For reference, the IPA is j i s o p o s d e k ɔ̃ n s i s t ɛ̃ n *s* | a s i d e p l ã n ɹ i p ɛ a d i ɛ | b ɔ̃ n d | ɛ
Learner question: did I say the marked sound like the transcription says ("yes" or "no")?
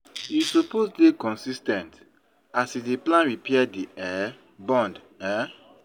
no